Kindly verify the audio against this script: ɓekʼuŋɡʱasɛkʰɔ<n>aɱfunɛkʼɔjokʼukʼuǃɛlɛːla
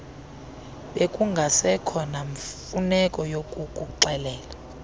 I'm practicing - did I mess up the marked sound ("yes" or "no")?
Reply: no